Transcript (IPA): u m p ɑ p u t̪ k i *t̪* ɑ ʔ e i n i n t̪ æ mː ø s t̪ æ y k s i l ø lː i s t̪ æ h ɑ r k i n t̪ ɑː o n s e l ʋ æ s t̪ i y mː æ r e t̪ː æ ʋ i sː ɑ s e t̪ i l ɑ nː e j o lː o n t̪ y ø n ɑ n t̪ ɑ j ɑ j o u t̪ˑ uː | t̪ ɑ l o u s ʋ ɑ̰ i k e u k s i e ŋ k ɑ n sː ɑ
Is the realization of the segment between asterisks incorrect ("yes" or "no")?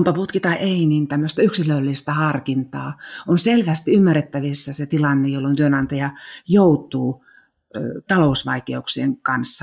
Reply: no